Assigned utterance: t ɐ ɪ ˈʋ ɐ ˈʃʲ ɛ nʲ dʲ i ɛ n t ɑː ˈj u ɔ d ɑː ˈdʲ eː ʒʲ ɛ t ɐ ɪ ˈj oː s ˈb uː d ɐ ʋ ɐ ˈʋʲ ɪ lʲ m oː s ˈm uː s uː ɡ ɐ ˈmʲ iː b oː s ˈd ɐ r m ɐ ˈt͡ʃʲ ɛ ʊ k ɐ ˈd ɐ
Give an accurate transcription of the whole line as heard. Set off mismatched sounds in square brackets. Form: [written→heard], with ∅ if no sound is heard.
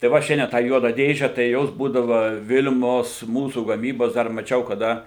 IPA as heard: t ɐ ɪ ˈʋ ɐ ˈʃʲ ɛ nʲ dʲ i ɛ n t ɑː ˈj u ɔ d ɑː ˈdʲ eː ʒʲ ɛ t ɐ ɪ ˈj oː s ˈb uː d ɐ ʋ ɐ ˈʋʲ ɪ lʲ m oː s ˈm uː s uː ɡ ɐ ˈmʲ iː b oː s ˈd ɐ r m ɐ ˈt͡ʃʲ ɛ ʊ k ɐ ˈd ɐ